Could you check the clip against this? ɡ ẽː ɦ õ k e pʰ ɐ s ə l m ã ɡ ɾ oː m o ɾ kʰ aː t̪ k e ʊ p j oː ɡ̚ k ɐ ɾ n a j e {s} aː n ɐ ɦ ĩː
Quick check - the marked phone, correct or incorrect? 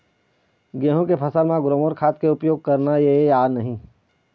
incorrect